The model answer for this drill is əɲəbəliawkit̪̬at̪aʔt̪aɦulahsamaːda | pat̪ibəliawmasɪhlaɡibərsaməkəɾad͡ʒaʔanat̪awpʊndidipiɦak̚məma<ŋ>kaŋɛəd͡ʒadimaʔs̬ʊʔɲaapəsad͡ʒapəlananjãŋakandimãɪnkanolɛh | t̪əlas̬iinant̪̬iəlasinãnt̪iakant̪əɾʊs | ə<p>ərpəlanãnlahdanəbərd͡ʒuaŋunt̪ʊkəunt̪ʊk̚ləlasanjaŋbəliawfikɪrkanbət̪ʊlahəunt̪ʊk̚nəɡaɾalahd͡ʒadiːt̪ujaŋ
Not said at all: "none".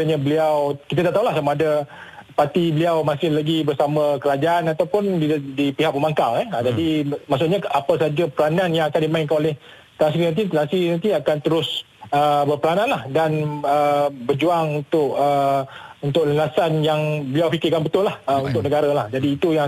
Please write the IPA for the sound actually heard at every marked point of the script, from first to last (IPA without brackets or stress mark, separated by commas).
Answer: ŋ, b